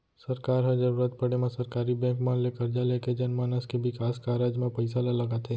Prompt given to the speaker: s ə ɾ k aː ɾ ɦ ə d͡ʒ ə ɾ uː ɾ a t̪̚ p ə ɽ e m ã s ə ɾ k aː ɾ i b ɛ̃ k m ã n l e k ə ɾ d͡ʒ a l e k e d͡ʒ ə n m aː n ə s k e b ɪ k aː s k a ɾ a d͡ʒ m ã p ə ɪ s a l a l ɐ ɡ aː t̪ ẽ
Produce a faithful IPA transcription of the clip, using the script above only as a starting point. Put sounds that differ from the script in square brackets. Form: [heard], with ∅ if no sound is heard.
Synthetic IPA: s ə ɾ k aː ɾ ɦ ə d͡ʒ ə ɾ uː ɾ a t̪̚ p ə ɽ e m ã s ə ɾ k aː ɾ i b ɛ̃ k m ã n l e k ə ɾ d͡ʒ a l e k e d͡ʒ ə n m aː n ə s k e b ɪ k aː s k a ɾ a d͡ʒ m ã p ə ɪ s a l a l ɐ ɡ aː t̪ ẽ